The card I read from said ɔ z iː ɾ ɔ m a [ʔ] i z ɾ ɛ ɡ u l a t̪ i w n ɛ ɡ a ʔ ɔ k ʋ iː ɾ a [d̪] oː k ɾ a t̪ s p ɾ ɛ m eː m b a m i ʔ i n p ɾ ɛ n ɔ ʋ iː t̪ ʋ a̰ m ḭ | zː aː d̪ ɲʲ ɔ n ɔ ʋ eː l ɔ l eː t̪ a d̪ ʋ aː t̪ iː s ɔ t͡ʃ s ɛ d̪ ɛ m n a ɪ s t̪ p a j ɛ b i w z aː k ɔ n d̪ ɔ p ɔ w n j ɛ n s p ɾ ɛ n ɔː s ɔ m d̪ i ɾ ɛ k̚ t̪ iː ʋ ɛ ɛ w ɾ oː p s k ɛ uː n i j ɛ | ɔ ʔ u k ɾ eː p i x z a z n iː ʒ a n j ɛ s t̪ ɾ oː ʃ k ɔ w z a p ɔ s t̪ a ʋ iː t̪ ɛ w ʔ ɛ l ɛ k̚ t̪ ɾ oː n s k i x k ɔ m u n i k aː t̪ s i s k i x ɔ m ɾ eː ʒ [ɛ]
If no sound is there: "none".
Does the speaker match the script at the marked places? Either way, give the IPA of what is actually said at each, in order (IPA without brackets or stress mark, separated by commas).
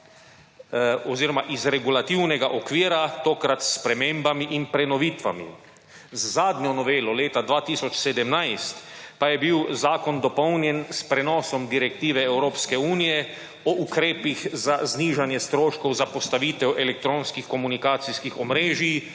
ʔ, t̪, i